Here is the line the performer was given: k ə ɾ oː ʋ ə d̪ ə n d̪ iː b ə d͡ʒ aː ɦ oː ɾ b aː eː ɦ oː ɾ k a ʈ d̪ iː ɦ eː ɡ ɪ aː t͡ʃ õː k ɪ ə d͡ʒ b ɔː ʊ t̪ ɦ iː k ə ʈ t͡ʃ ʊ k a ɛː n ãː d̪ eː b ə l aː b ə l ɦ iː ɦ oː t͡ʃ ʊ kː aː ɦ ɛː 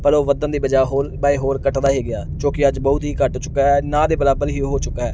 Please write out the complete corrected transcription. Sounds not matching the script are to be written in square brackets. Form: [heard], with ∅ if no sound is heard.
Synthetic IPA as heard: [p] ə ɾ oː ʋ ə d̪ ə n d̪ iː b ə d͡ʒ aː ɦ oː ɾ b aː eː ɦ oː ɾ k [ə] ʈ d̪ [aː] ɦ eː ɡ ɪ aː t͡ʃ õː k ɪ ə d͡ʒ b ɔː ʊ t̪ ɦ iː k ə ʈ t͡ʃ ʊ k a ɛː n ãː d̪ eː b ə l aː b ə l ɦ iː ɦ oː t͡ʃ ʊ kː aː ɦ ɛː